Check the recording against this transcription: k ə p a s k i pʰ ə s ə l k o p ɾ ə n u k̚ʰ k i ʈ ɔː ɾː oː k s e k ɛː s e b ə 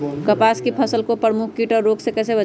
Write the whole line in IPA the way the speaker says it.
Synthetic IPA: k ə p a s k i pʰ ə s ə l k o p ɾ ə m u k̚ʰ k i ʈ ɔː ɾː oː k s e k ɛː s e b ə